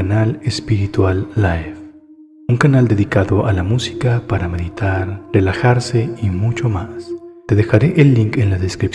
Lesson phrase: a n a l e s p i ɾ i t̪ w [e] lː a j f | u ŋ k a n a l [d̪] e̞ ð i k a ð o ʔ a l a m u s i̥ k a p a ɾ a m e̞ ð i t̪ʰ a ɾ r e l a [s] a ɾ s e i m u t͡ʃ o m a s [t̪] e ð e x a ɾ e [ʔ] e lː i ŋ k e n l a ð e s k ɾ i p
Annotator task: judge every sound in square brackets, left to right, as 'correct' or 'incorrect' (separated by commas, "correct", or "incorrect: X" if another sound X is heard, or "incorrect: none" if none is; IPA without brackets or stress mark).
incorrect: a, correct, incorrect: x, correct, correct